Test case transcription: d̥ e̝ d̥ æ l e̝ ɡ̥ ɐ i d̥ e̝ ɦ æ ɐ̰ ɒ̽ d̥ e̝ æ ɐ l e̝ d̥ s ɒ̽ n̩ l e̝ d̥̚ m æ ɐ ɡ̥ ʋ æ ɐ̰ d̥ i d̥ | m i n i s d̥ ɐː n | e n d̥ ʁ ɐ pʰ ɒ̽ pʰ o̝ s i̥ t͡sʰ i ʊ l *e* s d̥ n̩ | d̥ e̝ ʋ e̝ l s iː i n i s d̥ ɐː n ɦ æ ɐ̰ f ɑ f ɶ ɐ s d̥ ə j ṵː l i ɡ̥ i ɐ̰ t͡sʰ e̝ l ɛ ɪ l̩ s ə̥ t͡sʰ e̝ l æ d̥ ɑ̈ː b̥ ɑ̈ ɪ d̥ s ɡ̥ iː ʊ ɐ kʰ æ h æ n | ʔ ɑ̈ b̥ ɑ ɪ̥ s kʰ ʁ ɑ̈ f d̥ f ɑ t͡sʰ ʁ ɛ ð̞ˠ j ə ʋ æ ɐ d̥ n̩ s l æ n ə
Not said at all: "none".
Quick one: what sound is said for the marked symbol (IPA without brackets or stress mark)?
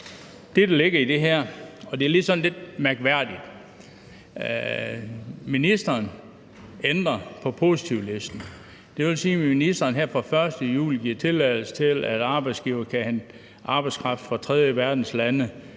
e